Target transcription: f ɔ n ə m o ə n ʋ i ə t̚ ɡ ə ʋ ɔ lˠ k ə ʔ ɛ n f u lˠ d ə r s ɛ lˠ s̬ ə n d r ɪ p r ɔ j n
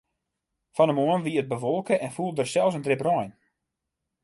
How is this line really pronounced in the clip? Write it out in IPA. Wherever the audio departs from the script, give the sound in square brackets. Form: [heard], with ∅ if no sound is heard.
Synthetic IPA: f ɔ n ə m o ə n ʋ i ə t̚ [b] ə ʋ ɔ lˠ k ə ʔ ɛ n f u lˠ d ə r s ɛ lˠ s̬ ə n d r ɪ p r ɔ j n